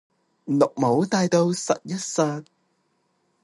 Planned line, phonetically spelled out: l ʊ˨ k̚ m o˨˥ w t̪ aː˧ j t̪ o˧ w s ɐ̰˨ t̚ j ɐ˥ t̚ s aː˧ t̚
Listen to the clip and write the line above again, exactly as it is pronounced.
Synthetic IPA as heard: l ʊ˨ k̚ m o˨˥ w t̪ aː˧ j t̪ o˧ w s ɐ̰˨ t̚ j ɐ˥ t̚ s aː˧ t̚